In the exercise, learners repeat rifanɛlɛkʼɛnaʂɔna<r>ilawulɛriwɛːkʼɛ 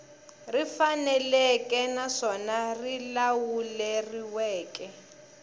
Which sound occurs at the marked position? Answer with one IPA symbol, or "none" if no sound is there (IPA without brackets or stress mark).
r